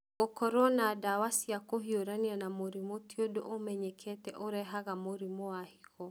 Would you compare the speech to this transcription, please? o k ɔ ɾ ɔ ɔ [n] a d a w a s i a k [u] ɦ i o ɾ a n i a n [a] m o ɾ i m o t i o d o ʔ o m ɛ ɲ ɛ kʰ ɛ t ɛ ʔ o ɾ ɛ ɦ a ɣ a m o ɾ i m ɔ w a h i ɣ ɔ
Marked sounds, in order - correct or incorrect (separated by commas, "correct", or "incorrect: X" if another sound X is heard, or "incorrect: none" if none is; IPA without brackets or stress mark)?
correct, incorrect: o, correct